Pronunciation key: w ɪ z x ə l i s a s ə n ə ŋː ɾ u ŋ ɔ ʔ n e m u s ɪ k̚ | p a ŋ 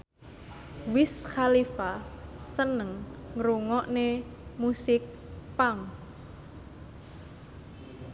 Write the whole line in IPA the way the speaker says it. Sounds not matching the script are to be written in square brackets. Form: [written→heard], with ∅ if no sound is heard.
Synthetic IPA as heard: w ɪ [z→s] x [ə→a] l i [s→f] a s ə n ə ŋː ɾ u ŋ ɔ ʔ n e m u s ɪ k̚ | p a ŋ